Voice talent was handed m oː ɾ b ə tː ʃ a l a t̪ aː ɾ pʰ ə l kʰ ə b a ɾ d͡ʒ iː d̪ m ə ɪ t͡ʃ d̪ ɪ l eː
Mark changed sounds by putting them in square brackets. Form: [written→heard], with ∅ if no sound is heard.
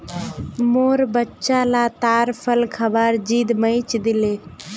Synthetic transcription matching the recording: m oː ɾ b ə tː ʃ a l a t̪ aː ɾ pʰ ə l kʰ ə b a ɾ d͡ʒ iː d̪ m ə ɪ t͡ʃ d̪ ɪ l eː